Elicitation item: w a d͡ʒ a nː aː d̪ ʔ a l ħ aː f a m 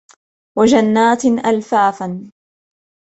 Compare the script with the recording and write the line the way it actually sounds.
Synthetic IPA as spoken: w a d͡ʒ a nː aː t̪ ʔ a l f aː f a n